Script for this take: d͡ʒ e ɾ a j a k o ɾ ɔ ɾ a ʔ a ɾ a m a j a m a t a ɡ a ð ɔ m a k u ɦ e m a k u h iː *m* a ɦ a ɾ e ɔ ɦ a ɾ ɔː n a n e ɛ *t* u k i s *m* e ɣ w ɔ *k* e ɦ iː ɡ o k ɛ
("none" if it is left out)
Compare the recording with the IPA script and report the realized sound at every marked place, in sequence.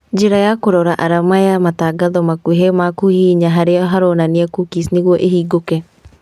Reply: ɲ, k, n, ʔ

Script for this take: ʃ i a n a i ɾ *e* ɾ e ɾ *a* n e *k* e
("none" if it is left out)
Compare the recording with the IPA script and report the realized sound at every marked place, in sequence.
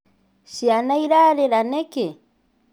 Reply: a, a, k

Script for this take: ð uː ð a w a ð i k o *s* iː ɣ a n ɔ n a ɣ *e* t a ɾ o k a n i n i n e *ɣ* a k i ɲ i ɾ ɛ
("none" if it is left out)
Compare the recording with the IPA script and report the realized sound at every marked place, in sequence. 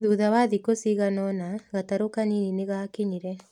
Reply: s, a, ɣ

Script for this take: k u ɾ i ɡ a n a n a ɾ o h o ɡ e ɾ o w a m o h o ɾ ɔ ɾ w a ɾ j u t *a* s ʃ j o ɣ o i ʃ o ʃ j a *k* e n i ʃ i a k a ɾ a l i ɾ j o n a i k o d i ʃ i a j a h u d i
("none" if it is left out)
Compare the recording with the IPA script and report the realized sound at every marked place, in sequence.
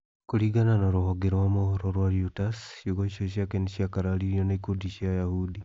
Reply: a, k

